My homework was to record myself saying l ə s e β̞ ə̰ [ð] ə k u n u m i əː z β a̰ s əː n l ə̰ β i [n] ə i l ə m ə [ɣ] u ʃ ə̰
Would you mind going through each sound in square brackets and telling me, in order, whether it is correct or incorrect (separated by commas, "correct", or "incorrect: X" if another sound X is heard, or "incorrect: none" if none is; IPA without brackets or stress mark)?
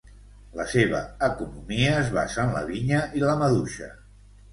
incorrect: none, incorrect: ɲ, incorrect: ð